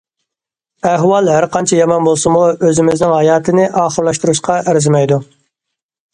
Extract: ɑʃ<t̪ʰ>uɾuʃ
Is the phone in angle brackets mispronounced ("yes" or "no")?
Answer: yes